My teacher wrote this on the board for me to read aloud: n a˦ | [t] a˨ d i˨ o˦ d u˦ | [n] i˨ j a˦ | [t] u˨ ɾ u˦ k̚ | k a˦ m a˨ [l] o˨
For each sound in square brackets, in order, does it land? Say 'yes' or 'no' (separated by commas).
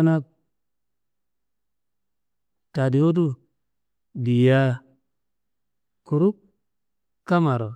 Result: yes, no, no, no